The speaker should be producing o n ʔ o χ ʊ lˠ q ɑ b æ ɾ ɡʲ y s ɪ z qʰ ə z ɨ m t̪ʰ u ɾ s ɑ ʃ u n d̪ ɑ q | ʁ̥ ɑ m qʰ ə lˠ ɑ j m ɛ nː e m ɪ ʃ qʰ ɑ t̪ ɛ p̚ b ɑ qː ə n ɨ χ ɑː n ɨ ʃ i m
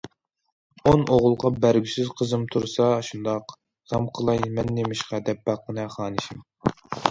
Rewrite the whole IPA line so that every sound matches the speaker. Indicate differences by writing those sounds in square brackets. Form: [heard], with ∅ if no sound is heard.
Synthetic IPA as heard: o n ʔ o [ʁ] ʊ lˠ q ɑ b æ ɾ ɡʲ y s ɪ z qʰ ə z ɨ m t̪ʰ u ɾ s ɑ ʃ u n d̪ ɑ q | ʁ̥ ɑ m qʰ ə lˠ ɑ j m ɛ nː e m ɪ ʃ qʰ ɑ [d̪] ɛ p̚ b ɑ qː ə n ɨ χ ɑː n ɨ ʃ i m